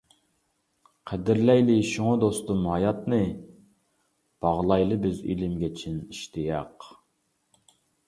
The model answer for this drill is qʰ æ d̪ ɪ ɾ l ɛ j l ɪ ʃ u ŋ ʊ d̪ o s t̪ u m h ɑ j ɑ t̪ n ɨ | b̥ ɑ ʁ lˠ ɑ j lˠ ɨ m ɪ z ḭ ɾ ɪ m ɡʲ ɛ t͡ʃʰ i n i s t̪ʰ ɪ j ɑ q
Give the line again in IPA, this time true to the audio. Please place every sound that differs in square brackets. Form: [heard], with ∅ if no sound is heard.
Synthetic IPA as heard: qʰ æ d̪ ɪ ɾ l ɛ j l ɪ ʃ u ŋ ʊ d̪ o s t̪ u m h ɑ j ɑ t̪ n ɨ | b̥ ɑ ʁ lˠ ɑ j lˠ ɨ [b] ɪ z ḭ [l] ɪ m ɡʲ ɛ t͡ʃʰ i n i [ʃ] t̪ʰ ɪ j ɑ q